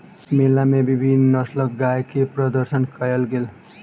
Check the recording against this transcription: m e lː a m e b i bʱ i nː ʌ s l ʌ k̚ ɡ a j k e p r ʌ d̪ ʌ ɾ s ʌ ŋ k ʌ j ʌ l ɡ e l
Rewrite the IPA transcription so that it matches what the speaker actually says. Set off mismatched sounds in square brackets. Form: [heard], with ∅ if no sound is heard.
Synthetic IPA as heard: m e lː a m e b i bʱ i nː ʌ s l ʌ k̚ ɡ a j k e p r ʌ d̪ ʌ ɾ s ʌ [n] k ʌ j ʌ l ɡ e l